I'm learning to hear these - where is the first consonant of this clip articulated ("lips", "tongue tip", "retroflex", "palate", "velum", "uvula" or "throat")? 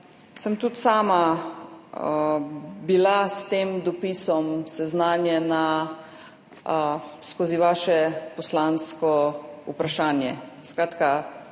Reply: tongue tip